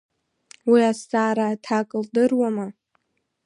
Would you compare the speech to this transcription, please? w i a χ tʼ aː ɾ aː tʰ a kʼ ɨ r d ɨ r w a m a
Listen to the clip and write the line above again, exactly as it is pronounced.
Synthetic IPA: w i a s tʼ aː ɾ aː tʰ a kʼ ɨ l d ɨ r w a m a